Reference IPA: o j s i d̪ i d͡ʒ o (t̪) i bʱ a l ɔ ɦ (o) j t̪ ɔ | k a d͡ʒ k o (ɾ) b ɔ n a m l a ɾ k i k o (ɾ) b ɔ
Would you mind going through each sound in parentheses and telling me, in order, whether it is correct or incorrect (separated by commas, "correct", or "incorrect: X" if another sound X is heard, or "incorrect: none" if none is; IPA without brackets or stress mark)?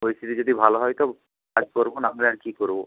incorrect: d̪, incorrect: ɔ, correct, correct